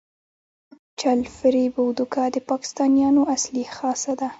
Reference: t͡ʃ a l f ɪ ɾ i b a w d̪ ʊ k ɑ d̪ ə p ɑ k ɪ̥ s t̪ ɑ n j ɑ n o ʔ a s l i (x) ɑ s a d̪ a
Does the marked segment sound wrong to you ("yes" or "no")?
no